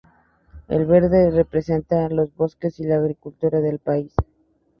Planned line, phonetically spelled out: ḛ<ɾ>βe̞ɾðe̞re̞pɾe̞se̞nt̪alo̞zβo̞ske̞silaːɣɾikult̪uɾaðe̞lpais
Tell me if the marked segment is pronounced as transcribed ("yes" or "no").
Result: no